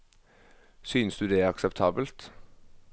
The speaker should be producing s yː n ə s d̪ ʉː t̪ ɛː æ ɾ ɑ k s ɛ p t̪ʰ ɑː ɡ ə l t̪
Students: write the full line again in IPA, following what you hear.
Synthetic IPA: s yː n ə s d̪ ʉː d̪ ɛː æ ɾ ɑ k s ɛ p t̪ʰ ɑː b ə l t̪